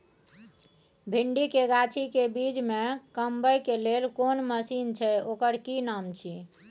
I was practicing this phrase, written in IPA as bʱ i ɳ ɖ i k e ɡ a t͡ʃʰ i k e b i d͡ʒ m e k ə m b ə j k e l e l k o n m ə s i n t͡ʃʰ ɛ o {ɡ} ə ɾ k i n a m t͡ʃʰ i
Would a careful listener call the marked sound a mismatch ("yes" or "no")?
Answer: yes